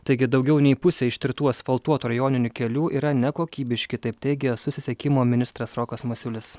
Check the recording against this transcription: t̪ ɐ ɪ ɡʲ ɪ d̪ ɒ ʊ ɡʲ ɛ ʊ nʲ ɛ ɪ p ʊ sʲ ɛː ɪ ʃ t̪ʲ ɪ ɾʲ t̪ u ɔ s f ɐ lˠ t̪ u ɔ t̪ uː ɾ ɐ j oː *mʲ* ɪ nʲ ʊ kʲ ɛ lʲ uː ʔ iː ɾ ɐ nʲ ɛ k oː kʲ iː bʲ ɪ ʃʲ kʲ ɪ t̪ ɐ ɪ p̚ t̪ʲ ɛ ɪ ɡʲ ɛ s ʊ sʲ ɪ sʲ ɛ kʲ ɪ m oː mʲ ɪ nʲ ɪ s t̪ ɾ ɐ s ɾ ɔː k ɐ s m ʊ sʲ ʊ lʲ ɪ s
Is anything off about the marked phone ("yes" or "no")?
yes